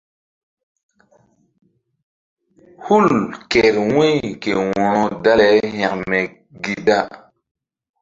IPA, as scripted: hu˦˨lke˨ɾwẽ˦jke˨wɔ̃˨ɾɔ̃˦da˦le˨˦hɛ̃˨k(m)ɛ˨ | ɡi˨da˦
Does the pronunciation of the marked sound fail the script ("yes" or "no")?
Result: no